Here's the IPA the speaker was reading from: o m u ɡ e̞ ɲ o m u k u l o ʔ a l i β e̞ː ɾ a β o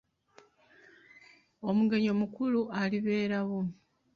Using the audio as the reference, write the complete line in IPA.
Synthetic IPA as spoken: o m u ɡ e̞ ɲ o m u k u l u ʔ a l i β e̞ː ɾ a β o